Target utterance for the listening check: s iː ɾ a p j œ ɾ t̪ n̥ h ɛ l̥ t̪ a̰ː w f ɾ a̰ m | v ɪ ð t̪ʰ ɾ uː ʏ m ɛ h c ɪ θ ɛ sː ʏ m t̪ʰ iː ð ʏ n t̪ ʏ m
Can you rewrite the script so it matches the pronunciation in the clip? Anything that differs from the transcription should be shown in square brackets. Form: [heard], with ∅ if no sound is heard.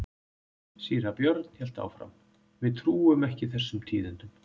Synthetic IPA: s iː ɾ a p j œ ɾ t̪ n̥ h ɛ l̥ t̪ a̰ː w f ɾ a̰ m | v ɪ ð t̪ʰ ɾ uː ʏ m ɛ h c ɪ θ ɛ sː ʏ m t̪ʰ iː ð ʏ n t̪ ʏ m